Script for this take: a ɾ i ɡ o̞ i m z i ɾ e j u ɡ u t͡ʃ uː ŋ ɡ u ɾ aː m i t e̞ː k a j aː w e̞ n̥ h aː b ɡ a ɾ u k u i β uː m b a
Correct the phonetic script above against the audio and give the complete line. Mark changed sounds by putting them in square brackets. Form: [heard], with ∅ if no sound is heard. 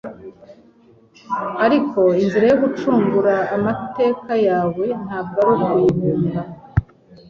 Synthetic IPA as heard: a ɾ i [k] o̞ i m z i ɾ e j [o] ɡ u t͡ʃ uː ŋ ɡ u ɾ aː m [a] t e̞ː k a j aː w e̞ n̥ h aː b ɡ a ɾ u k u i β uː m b a